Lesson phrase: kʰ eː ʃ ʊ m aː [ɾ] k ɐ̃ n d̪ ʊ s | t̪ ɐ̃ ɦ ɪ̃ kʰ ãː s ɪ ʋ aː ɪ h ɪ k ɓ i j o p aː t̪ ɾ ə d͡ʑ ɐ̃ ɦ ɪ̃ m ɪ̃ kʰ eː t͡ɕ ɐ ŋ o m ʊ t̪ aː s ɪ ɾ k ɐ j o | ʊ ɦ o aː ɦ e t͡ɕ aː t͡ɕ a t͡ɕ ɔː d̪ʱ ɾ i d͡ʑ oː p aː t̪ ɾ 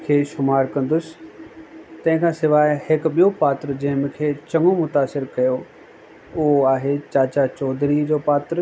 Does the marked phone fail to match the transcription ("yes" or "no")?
no